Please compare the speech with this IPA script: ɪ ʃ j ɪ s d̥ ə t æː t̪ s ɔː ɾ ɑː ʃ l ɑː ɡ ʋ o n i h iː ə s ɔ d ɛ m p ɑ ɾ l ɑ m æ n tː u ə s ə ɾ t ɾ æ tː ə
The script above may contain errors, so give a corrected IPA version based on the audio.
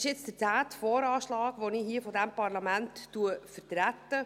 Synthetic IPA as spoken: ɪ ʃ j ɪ t͡s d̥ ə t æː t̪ f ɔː ɾ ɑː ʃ l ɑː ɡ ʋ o n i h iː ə f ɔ d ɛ m p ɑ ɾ l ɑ m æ n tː u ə f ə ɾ t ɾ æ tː ə